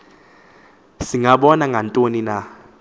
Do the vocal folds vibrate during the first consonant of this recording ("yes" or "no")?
no